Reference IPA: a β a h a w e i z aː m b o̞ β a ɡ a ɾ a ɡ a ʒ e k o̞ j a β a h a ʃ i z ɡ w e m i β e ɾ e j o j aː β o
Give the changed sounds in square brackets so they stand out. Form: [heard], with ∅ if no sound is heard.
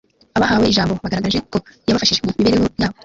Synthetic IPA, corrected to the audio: a β a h a w e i [ʒ] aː m b o̞ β a ɡ a ɾ a ɡ a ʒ e k o̞ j a β a [f] a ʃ i [ʒ] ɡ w e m i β e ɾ e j o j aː β o